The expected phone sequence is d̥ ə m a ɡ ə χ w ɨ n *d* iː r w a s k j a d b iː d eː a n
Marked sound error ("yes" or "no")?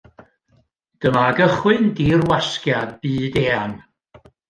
no